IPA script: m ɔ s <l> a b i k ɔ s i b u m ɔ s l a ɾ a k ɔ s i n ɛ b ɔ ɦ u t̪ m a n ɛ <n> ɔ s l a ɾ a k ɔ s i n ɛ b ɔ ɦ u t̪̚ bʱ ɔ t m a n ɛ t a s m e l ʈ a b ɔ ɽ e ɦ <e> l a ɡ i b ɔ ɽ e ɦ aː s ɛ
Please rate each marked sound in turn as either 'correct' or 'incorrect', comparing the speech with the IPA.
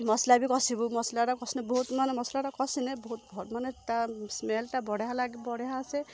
correct, incorrect: m, incorrect: a

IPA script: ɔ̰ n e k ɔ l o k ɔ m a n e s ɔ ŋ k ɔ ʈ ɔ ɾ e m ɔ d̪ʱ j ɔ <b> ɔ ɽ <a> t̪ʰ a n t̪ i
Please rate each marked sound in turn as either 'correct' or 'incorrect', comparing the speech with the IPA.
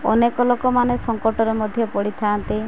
incorrect: p, incorrect: i

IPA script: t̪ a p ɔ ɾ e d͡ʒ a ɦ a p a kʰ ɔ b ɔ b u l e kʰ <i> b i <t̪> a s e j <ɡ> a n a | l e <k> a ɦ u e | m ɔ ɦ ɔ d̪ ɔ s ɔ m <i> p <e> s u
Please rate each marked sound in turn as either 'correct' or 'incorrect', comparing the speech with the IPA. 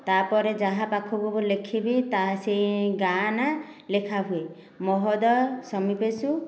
correct, correct, correct, incorrect: kʰ, correct, correct

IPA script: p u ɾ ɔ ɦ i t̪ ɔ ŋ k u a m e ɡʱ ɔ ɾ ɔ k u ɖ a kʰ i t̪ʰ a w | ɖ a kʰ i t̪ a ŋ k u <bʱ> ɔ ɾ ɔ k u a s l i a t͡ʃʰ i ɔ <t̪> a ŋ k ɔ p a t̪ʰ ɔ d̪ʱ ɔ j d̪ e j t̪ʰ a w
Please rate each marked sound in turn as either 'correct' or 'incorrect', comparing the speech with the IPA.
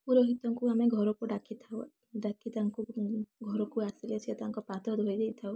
incorrect: ɡʱ, correct

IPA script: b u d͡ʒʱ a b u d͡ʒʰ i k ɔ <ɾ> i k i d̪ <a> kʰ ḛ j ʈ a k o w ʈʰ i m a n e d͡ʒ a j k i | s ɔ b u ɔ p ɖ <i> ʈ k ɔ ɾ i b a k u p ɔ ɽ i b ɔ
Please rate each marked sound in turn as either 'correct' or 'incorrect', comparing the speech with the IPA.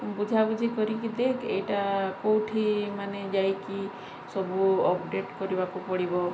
correct, incorrect: e, incorrect: e

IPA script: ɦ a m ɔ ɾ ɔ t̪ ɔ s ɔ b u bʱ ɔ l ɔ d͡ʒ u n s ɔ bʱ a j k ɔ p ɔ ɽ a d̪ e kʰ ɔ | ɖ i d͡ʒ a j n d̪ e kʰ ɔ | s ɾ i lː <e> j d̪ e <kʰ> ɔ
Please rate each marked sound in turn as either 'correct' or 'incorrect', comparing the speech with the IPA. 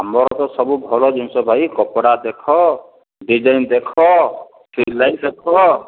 incorrect: a, correct

